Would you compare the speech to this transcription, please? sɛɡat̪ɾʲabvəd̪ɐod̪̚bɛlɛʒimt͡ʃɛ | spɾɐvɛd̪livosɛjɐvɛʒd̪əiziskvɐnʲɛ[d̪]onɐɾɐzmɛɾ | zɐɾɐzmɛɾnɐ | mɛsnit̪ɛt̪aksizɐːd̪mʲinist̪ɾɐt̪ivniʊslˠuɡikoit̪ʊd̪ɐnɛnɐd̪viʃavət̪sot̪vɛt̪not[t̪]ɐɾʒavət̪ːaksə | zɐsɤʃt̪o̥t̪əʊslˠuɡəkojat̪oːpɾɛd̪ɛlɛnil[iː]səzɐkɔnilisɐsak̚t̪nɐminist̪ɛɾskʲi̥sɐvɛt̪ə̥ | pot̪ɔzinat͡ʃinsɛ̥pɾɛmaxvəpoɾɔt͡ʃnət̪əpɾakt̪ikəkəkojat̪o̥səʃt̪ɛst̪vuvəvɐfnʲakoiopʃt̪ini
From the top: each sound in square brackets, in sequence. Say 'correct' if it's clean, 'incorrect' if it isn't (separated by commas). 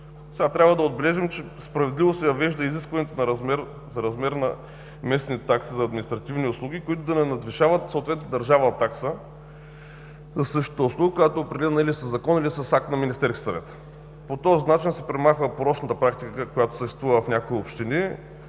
incorrect, incorrect, incorrect